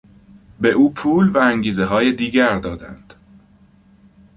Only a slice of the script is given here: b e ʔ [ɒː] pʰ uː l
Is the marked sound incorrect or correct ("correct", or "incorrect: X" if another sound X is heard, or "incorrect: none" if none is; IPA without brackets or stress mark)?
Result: incorrect: uː